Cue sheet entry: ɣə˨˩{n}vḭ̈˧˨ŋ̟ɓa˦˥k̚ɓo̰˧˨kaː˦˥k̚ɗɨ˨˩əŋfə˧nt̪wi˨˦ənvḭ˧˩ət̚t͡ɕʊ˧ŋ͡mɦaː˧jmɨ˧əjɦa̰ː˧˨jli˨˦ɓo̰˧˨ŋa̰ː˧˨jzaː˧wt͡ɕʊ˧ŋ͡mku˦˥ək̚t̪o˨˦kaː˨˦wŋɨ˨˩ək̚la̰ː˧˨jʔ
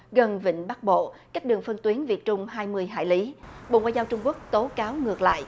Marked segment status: correct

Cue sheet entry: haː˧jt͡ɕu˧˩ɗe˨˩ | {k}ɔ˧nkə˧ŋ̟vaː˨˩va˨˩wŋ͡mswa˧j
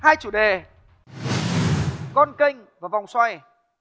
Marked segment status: correct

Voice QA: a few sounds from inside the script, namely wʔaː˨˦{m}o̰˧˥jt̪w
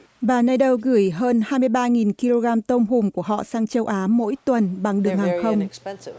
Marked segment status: correct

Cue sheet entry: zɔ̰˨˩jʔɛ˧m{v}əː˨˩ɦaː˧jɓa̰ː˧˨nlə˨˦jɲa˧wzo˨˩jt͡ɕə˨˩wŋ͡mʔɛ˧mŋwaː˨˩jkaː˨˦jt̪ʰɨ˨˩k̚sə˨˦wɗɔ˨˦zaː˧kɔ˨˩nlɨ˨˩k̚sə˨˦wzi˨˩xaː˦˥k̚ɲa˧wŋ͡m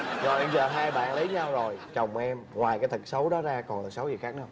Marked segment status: incorrect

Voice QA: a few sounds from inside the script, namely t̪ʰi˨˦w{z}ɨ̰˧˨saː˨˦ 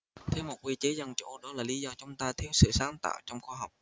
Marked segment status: incorrect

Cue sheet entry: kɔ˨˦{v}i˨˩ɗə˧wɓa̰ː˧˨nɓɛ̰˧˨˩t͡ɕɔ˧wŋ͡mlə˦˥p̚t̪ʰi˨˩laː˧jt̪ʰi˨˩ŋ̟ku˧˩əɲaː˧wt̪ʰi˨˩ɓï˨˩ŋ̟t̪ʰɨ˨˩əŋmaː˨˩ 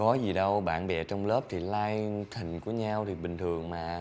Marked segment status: incorrect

